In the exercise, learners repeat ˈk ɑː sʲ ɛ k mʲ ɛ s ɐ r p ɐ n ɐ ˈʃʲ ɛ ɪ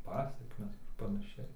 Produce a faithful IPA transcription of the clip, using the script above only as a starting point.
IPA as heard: ˈp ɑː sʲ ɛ k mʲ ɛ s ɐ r p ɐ n ɐ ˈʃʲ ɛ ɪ